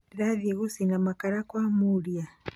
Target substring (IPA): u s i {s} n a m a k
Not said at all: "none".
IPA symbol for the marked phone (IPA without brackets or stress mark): none